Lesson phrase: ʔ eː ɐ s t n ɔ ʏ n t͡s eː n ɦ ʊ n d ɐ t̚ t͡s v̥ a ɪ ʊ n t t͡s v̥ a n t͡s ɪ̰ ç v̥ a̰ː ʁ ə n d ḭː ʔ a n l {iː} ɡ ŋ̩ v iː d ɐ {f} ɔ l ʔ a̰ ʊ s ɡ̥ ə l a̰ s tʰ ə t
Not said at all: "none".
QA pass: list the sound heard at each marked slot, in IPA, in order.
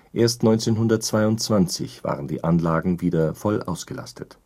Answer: aː, f

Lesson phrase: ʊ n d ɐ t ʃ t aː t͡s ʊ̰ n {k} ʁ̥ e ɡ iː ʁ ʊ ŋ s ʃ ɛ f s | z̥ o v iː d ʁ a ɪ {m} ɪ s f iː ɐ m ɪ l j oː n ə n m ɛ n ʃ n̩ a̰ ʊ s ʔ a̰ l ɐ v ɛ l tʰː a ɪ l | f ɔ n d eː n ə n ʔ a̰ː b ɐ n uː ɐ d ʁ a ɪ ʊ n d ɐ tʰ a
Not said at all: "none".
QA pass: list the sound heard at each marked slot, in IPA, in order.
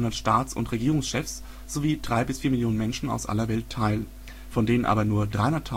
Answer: t, b

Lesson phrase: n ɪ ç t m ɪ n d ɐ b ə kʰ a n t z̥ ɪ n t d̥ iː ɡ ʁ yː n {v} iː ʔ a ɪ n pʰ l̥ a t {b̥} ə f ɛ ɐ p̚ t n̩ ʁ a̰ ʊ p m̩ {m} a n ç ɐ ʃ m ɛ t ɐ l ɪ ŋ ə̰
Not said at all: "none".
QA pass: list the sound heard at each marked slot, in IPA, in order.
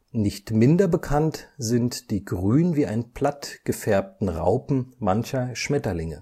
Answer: v, ɡ̥, m

